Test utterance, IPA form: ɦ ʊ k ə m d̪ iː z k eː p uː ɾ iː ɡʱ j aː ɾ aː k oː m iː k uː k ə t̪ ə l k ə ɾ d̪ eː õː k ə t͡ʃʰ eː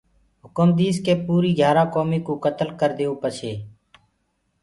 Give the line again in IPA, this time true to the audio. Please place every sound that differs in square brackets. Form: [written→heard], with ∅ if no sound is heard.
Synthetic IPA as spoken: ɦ ʊ k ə m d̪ iː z k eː p uː ɾ iː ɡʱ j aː ɾ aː k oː m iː k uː k ə t̪ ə l k ə ɾ d̪ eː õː [k→p] ə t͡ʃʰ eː

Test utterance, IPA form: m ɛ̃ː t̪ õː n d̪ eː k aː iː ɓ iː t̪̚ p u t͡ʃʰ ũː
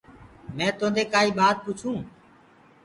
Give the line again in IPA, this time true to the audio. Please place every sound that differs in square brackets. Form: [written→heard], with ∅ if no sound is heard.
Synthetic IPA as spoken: m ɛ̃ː t̪ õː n d̪ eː k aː iː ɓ [iː→aː] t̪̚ p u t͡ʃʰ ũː

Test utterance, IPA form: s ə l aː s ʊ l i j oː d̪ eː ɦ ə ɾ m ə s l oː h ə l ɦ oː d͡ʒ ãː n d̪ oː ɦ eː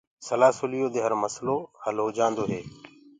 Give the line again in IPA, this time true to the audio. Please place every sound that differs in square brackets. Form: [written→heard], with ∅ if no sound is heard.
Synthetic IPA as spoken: s ə l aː s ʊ l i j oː d̪ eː ɦ ə ɾ m ə s l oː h ə l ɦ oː d͡ʒ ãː n d̪ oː ɦ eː

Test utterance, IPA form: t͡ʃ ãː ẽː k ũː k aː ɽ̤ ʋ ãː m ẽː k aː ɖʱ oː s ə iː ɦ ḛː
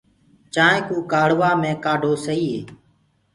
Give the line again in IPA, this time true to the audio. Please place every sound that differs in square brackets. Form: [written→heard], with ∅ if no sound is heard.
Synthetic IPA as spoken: t͡ʃ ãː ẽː k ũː k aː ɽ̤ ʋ [ãː→aː] m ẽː k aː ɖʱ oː s ə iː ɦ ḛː

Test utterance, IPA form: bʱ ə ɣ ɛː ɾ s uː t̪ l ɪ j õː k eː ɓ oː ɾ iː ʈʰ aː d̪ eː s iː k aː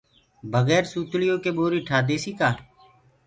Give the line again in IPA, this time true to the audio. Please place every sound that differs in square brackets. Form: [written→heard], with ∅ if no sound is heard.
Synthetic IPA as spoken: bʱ ə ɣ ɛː ɾ s uː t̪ l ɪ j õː k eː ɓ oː ɾ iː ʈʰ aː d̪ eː s iː k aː

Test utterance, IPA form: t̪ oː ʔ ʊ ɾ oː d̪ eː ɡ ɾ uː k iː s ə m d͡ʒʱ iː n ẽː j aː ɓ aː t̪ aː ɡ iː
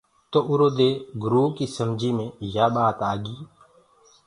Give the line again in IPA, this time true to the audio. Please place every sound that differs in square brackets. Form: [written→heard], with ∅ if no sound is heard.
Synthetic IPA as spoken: t̪ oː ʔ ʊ ɾ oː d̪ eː ɡ ɾ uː k iː s ə m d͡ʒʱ iː [n→m] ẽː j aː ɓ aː t̪ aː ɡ iː

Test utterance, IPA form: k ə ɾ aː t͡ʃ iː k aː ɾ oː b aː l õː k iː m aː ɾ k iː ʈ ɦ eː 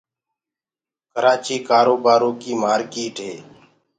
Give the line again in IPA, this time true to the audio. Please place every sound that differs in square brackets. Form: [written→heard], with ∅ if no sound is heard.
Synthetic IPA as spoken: k ə ɾ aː t͡ʃ iː k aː ɾ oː b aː [l→ɾ] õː k iː m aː ɾ k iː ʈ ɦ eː

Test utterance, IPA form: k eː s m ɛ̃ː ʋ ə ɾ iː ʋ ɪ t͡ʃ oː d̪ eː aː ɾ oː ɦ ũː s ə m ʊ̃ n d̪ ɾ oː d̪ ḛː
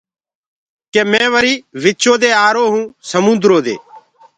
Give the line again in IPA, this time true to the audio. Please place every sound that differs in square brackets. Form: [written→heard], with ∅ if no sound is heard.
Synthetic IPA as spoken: k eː [s→∅] m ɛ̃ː ʋ ə ɾ iː ʋ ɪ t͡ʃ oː d̪ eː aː ɾ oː ɦ ũː s ə m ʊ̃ n d̪ ɾ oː d̪ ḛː

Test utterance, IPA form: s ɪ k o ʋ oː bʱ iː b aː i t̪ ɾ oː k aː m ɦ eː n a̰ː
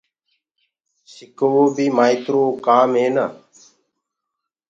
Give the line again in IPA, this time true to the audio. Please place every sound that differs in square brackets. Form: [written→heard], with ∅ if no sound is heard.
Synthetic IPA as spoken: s ɪ k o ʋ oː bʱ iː [b→m] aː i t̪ ɾ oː k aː m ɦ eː n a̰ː

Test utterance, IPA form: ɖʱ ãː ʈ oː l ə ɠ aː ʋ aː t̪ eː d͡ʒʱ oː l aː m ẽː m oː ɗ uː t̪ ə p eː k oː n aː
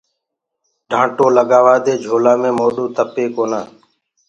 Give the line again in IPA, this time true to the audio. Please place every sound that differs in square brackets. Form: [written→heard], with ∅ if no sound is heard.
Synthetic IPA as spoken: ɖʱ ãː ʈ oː l ə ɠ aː ʋ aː [t̪→d̪] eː d͡ʒʱ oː l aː m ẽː m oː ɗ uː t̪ ə p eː k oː n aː

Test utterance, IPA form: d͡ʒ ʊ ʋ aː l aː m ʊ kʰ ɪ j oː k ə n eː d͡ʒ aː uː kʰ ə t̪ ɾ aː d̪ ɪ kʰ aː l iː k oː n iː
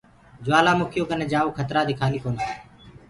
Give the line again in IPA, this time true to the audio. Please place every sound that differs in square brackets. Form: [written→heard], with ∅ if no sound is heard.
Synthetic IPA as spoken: d͡ʒ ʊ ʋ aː l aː m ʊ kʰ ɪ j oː k ə n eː d͡ʒ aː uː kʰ ə t̪ ɾ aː d̪ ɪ kʰ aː l iː k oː n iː

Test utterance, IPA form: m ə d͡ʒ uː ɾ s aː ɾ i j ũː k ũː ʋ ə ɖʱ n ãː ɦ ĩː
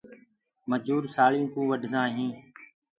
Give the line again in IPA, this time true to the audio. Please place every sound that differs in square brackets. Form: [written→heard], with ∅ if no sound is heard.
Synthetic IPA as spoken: m ə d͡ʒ uː ɾ s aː [ɾ→ɭ] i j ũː k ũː ʋ ə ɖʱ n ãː ɦ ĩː

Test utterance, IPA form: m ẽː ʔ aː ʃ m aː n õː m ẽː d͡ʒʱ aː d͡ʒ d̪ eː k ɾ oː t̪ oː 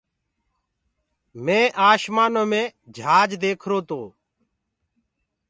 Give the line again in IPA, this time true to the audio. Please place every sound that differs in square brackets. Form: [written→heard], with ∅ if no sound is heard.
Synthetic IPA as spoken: m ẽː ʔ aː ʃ m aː n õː m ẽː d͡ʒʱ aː d͡ʒ d̪ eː [k→kʰ] ɾ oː t̪ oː

